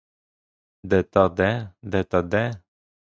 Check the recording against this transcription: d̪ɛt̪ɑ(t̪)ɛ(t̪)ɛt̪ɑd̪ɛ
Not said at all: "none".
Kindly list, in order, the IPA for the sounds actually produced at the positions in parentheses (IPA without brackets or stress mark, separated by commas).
d̪, d̪